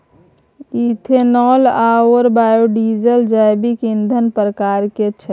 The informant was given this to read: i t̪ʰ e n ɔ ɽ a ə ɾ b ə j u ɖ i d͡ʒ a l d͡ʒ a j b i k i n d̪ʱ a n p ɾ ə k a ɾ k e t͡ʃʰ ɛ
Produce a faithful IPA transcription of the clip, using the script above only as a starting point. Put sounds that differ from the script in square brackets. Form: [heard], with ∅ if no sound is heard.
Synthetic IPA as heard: i t̪ʰ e n ɔ [l] a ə ɾ b [a] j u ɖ i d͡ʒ [ə] l d͡ʒ a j b i k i n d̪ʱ [ə] n p ɾ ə k a ɾ k e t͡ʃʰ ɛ

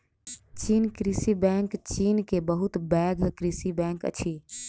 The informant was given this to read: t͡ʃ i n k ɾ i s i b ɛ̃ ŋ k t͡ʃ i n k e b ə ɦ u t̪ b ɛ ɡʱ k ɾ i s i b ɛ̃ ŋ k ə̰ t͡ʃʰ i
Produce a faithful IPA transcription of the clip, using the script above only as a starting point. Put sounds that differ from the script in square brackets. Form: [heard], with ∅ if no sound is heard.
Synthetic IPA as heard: t͡ʃ i n k ɾ i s i b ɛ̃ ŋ k t͡ʃ i n k e b ə ɦ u t̪ b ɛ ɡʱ k ɾ i s i b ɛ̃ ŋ k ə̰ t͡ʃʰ i

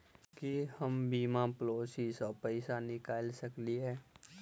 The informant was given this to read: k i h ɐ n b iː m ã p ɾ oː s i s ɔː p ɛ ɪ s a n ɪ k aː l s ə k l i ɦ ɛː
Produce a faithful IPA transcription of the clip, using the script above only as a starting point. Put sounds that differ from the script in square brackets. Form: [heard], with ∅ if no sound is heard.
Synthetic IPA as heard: k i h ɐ [m] b iː m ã p [l] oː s i s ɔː p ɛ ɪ s a n ɪ k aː l s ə k l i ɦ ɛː

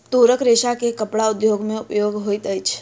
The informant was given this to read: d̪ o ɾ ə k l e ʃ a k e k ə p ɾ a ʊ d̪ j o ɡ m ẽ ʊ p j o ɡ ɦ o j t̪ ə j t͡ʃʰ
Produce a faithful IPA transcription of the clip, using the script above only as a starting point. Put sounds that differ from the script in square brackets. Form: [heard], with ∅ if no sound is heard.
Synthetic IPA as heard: [t̪] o ɾ ə k [ɾ] e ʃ a k e k ə p [ɽ] a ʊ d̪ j o ɡ m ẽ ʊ p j o ɡ ɦ o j t̪ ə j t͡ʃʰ

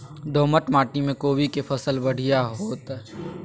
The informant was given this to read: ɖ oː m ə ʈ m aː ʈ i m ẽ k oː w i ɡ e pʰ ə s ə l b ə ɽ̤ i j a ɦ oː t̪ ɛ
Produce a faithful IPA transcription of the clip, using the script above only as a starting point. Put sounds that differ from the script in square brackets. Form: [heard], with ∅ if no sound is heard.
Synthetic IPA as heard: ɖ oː m ə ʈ m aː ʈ i m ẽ k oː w i [k] e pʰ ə s ə l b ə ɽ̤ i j a ɦ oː t̪ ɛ

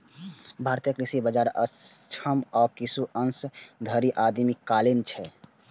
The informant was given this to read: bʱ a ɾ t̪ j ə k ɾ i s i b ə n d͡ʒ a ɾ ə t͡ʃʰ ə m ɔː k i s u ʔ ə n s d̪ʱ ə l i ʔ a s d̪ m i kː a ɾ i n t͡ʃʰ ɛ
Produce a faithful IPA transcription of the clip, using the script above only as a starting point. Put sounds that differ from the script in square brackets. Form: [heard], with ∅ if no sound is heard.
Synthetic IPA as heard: bʱ a ɾ t̪ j ə k ɾ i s i b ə [∅] d͡ʒ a ɾ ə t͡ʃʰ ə m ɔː k i s u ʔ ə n s d̪ʱ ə [ɾ] i ʔ a [∅] d̪ m i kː a [l] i n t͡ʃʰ ɛ

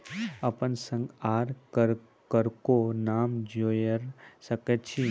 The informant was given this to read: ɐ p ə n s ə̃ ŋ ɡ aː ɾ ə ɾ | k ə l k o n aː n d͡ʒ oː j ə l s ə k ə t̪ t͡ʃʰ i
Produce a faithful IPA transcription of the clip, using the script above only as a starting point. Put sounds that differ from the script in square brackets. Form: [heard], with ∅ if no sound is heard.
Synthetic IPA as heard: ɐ p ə n s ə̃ ŋ ɡ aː ɾ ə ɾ | k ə [ɾ] k o n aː [m] d͡ʒ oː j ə [ɾ] s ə k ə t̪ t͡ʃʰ i

